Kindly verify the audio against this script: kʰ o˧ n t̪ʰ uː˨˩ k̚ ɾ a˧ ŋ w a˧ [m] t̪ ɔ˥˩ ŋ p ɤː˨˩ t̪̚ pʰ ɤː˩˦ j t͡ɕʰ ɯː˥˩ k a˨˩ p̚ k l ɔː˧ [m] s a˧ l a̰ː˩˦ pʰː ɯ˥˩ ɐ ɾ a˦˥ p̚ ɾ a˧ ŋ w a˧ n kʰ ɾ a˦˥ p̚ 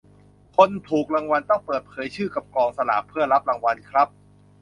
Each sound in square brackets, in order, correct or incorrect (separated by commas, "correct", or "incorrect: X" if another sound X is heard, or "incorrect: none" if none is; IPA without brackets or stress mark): incorrect: n, incorrect: ŋ